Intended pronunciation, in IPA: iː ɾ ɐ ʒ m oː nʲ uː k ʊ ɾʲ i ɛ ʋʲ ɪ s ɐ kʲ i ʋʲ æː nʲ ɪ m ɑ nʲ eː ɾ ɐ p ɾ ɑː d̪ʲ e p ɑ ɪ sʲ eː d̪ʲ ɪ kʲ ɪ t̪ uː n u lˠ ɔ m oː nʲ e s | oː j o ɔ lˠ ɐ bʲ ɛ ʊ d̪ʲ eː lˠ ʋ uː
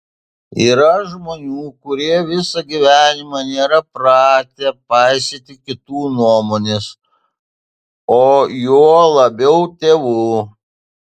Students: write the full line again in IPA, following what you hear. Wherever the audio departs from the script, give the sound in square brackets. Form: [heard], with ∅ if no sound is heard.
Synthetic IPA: iː ɾ ɐ ʒ m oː nʲ uː k ʊ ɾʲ i ɛ ʋʲ ɪ s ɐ [ɡʲ] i ʋʲ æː nʲ ɪ m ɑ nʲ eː ɾ ɐ p ɾ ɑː [t̪ʲ] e p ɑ ɪ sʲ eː [t̪ʲ] ɪ kʲ ɪ t̪ uː n u [∅] ɔ m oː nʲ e s | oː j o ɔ lˠ ɐ bʲ ɛ ʊ [t̪ʲ] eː [∅] ʋ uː

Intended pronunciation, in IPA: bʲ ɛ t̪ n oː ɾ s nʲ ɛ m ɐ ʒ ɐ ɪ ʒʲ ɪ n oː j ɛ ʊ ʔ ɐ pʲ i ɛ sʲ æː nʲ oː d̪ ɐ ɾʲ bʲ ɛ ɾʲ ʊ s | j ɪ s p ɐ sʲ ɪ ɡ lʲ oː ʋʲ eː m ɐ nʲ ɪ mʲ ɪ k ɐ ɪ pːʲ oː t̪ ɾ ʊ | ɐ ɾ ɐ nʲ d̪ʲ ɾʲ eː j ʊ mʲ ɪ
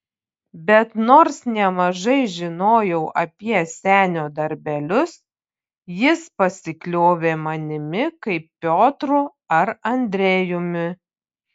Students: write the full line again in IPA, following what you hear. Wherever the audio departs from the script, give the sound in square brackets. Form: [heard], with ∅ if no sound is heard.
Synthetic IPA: bʲ ɛ t̪ n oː ɾ s nʲ ɛ m ɐ ʒ ɐ ɪ ʒʲ ɪ n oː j ɛ ʊ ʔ ɐ pʲ i ɛ sʲ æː nʲ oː d̪ ɐ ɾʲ bʲ ɛ [lʲ] ʊ s | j ɪ s p ɐ sʲ ɪ [k] lʲ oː ʋʲ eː m ɐ nʲ ɪ mʲ ɪ k ɐ ɪ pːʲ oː t̪ ɾ ʊ | ɐ ɾ ɐ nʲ d̪ʲ ɾʲ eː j ʊ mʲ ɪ

